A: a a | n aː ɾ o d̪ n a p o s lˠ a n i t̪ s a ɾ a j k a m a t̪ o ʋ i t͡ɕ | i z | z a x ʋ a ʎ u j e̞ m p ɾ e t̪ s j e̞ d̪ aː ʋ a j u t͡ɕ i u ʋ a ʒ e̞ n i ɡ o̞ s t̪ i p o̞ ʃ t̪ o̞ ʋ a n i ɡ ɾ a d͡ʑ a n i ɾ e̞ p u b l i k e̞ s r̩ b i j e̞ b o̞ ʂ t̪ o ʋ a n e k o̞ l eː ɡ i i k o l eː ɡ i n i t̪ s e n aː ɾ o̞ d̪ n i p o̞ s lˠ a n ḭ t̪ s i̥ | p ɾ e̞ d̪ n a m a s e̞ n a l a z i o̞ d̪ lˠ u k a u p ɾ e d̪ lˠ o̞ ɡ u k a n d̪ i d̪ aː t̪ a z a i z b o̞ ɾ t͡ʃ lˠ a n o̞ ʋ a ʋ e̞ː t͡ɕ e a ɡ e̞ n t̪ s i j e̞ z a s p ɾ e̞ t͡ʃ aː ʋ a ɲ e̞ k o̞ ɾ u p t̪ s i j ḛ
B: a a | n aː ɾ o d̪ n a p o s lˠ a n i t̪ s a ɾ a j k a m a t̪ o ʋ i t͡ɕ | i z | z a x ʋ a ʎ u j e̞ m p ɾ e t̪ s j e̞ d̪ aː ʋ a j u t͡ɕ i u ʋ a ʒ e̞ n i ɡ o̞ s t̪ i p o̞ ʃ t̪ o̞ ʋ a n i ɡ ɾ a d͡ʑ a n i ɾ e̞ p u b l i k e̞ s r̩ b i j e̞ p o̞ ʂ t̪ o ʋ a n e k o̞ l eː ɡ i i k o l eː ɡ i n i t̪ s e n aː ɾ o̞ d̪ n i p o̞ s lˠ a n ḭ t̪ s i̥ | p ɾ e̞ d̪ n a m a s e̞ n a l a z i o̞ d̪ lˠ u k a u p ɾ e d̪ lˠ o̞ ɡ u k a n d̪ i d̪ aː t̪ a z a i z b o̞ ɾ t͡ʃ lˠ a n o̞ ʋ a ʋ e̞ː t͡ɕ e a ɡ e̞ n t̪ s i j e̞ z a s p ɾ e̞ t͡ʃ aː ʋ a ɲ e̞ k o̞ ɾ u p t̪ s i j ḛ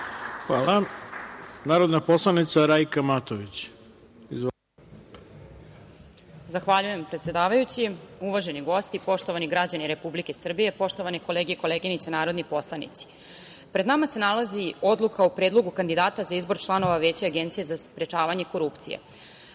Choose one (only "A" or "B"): B